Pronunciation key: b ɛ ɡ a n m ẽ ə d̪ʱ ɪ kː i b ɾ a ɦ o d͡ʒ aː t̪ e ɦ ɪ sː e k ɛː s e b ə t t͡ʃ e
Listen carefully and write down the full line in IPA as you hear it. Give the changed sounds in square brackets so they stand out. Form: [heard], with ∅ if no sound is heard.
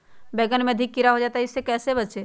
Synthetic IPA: b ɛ ɡ [ə] n m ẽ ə d̪ʱ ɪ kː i [∅] ɾ a ɦ o d͡ʒ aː t̪ [a] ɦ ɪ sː e k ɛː s e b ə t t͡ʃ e